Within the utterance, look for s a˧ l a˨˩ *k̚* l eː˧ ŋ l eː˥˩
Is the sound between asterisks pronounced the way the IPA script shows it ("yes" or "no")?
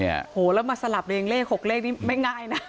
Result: no